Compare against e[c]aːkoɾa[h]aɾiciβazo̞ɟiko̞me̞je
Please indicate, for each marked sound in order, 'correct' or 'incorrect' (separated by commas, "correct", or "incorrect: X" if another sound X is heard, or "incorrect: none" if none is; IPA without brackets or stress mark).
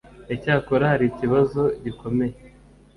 correct, correct